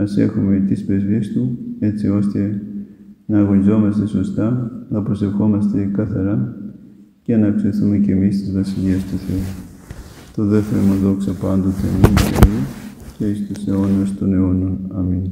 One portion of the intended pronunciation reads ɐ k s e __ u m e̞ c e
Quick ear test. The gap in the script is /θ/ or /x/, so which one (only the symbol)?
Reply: θ